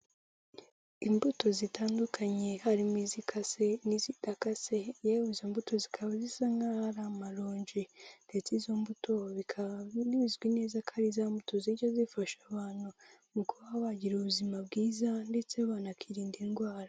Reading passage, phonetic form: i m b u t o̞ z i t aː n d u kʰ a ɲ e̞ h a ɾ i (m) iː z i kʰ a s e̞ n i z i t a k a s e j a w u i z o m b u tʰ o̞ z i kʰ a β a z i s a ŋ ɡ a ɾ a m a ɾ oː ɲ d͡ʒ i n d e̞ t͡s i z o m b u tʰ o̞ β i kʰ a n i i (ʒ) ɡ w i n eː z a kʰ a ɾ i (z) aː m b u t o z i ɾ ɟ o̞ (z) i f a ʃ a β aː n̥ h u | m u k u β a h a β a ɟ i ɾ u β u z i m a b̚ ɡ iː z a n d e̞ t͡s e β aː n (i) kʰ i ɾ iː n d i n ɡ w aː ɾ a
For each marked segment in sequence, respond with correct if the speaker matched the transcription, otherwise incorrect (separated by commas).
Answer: correct, incorrect, correct, correct, incorrect